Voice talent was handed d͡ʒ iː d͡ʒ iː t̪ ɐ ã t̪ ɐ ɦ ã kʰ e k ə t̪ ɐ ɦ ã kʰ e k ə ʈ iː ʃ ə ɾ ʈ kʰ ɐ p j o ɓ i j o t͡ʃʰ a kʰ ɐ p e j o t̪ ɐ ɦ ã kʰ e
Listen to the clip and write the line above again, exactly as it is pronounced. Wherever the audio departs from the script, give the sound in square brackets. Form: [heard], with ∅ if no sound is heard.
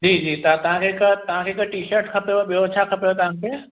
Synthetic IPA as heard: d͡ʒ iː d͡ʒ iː t̪ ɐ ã t̪ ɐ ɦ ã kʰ e k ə t̪ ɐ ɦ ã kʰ e k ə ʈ iː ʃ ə ɾ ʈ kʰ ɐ p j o ɓ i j o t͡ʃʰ a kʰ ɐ p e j o t̪ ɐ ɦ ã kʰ e